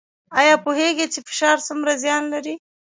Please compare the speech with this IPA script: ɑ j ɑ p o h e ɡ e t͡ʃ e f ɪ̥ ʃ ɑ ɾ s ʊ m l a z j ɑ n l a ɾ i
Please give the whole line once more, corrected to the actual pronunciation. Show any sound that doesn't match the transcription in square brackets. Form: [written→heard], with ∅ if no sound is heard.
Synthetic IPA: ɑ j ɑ p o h e ɡ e t͡ʃ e f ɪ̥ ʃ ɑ ɾ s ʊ m [l→ɾ] a z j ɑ n l a ɾ i